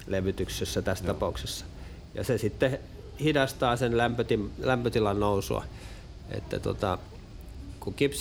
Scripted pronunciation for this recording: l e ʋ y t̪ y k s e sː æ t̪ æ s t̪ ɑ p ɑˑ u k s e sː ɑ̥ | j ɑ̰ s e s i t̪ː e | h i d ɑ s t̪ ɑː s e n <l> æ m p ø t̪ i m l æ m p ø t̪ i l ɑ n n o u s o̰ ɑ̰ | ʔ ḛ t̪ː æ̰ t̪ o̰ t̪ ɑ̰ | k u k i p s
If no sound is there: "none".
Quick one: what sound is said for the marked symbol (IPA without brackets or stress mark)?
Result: l